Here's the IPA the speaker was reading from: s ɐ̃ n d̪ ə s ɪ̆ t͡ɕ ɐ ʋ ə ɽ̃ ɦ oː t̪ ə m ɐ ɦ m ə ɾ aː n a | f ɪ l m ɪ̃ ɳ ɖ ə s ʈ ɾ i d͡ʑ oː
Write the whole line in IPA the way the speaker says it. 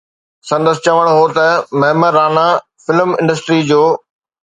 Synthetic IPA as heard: s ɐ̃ n d̪ ə s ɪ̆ t͡ɕ ɐ ʋ ə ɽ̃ ɦ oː t̪ ɐ m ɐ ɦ m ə ɾ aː n a | f ɪ l m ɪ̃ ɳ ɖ ə s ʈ ɾ i d͡ʑ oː

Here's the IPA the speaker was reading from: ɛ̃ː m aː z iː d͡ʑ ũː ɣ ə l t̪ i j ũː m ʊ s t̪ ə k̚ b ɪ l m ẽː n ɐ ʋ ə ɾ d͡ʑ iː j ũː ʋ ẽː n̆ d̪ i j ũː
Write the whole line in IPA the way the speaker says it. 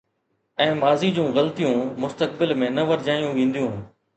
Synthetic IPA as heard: ɛ̃ː m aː z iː d͡ʑ ũː ɣ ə l t̪ i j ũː m ʊ s t̪ ə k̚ b ɪ l m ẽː n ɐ ʋ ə ɾ d͡ʑ aː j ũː ʋ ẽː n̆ d̪ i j ũː

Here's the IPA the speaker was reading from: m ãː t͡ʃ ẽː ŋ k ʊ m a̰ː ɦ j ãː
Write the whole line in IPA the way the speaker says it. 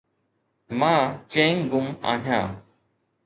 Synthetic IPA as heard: m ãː t͡ʃ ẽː ŋ ɡ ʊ m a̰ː ɦ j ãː

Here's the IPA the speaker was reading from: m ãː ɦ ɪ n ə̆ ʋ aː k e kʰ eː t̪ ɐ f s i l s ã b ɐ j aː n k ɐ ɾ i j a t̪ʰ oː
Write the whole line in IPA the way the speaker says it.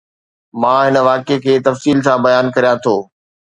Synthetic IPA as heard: m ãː ɦ ɪ n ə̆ ʋ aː k e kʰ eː t̪ ɐ f s iː l s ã b ɐ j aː n k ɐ ɾ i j a t̪ʰ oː

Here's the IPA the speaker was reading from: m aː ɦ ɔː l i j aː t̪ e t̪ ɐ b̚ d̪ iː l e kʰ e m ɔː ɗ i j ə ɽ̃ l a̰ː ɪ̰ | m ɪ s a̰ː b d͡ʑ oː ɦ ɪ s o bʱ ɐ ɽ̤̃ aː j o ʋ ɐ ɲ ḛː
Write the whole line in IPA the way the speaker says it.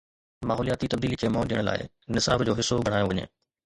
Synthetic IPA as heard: m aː ɦ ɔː l i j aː t̪ i t̪ ɐ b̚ d̪ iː l i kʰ e m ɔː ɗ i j ə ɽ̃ l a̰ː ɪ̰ | n ɪ s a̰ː b d͡ʑ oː ɦ ɪ s o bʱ ɐ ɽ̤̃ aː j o ʋ ɐ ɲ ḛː

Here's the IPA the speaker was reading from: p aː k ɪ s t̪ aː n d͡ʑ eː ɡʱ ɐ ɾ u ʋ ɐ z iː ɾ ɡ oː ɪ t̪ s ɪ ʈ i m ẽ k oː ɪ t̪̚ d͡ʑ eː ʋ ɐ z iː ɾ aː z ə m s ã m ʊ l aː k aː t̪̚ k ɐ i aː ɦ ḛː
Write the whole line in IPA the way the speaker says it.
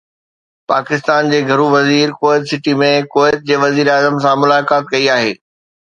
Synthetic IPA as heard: p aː k ɪ s t̪ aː n d͡ʑ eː ɡʱ ɐ ɾ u ʋ ɐ z iː ɾ k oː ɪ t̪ s ɪ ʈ i m ẽ k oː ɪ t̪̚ d͡ʑ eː ʋ ɐ z iː ɾ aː z ə m s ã m ʊ l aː k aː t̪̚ k ɐ i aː ɦ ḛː

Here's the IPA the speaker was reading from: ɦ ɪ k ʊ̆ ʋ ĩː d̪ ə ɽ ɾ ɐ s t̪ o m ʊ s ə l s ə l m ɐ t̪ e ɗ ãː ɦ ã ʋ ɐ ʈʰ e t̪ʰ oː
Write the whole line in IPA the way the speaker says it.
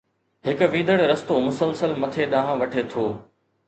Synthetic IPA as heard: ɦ ɪ k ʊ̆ ʋ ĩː d̪ ə ɽ ɾ ɐ s t̪ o m ʊ s ə l s ə l m ɐ t̪ʰ e ɗ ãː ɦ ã ʋ ɐ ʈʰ e t̪ʰ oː

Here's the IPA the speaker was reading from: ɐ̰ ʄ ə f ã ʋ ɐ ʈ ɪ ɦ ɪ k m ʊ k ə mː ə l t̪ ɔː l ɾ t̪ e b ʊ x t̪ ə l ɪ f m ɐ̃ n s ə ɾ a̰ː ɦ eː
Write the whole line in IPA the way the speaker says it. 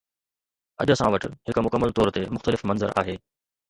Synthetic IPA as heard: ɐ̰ ʄ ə s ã ʋ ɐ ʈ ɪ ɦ ɪ k m ʊ k ə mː ə l t̪ ɔː ɾ t̪ e m ʊ x t̪ ə l ɪ f m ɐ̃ n z ə ɾ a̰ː ɦ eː

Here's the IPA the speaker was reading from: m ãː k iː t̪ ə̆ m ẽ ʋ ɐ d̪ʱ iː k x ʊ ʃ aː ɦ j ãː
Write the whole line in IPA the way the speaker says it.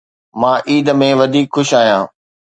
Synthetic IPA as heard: m ãː ʔ iː d̪ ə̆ m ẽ ʋ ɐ d̪ʱ iː k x ʊ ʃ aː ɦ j ãː

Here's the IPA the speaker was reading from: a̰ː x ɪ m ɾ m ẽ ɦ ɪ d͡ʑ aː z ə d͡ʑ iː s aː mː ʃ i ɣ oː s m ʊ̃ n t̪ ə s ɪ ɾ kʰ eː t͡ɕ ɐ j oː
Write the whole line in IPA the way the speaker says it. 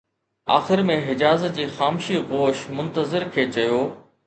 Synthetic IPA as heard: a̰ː x ɪ ɾ m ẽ ɦ ɪ d͡ʑ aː z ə d͡ʑ iː x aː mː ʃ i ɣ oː ʃ m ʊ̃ n t̪ ə z ɪ ɾ kʰ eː t͡ɕ ɐ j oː

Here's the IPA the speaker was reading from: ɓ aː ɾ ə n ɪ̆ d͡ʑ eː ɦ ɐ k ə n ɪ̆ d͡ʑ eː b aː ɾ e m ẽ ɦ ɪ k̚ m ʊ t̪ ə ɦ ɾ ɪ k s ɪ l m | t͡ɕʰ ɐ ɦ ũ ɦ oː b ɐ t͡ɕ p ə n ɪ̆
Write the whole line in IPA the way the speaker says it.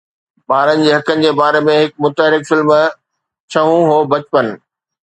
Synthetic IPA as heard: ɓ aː ɾ ə n ɪ̆ d͡ʑ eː ɦ ɐ k ə n ɪ̆ d͡ʑ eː b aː ɾ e m ẽ ɦ ɪ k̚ m ʊ t̪ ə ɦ ɾ ɪ k f ɪ l m | t͡ɕʰ ɐ ɦ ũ ɦ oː b ɐ t͡ɕ p ə n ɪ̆

